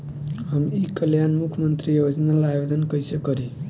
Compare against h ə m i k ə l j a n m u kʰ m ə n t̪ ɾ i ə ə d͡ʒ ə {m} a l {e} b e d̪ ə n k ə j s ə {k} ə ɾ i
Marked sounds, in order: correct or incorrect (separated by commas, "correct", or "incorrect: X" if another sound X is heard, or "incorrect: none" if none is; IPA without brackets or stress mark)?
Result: incorrect: n, incorrect: a, correct